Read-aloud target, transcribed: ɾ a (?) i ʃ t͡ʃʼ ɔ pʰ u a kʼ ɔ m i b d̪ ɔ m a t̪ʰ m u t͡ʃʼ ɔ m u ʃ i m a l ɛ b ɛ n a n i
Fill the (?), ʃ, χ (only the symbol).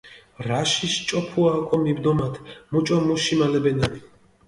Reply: ʃ